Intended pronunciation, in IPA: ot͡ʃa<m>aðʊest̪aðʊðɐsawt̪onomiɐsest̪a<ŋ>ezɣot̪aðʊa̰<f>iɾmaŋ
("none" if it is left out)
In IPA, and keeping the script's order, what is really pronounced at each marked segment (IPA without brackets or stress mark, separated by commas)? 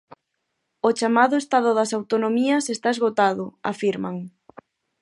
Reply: m, none, f